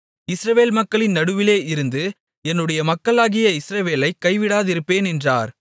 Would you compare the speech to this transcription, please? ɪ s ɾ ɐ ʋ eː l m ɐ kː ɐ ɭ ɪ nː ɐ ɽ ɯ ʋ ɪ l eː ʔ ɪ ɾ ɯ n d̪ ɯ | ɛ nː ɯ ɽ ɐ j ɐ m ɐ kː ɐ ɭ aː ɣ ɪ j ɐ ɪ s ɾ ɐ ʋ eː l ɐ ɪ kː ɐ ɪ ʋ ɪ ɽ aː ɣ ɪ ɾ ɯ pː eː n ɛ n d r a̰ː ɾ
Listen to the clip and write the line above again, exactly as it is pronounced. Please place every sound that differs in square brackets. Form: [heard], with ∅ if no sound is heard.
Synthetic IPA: ɪ s ɾ ɐ ʋ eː l m ɐ kː ɐ ɭ ɪ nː ɐ ɽ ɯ ʋ ɪ l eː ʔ ɪ ɾ ɯ n d̪ ɯ | ɛ nː ɯ ɽ ɐ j ɐ m ɐ kː ɐ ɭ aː ɣ ɪ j ɐ ɪ s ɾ ɐ ʋ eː l ɐ ɪ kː ɐ ɪ ʋ ɪ ɽ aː [ð] ɪ ɾ ɯ pː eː n ɛ n d r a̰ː ɾ